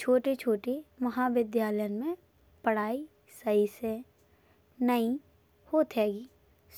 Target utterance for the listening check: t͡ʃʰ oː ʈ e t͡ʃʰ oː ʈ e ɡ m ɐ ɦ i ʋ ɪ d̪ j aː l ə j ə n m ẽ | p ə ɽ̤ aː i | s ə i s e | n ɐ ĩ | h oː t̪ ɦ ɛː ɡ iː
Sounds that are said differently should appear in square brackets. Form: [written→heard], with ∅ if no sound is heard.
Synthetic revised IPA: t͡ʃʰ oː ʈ e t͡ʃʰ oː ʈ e [ɡ→∅] m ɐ ɦ [i→a] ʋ ɪ d̪ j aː l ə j ə n m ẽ | p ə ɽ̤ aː i | s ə i s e | n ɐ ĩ | h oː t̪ ɦ ɛː ɡ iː